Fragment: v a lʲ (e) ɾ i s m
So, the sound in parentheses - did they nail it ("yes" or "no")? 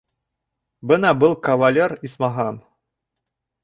yes